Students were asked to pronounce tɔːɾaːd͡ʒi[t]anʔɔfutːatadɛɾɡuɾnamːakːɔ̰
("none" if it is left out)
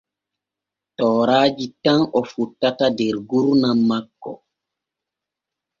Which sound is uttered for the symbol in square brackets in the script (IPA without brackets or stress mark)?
t